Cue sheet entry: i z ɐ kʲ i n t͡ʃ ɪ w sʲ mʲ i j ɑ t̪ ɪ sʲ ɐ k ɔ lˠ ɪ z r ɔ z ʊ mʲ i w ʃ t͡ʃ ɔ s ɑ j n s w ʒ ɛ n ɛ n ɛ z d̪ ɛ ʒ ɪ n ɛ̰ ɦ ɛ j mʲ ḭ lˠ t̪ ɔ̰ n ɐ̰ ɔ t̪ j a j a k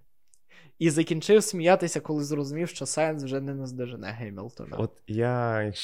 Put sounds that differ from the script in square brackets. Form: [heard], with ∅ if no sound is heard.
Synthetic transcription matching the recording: i z ɐ kʲ i n t͡ʃ ɪ w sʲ mʲ i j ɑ t̪ ɪ sʲ ɐ k ɔ lˠ ɪ z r ɔ z ʊ mʲ i w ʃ t͡ʃ ɔ s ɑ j n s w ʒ ɛ n ɛ n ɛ z d̪ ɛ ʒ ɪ n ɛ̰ ɦ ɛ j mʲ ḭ lˠ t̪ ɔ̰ n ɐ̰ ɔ t̪ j a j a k